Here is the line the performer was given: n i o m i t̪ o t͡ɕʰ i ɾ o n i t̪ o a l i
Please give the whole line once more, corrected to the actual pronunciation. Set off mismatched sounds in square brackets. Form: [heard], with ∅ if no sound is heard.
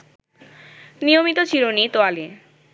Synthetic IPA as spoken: n i o m i t̪ o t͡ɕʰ i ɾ o n i t̪ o a l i